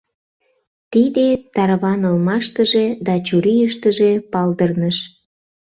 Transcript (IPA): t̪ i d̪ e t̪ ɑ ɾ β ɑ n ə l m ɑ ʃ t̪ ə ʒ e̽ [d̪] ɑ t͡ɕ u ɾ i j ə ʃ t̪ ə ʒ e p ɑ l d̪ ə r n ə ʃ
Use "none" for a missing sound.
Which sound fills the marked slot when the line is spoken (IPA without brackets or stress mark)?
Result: d̪